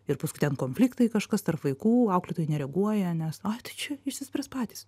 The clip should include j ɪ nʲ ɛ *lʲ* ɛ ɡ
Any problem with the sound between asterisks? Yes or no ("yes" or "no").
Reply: yes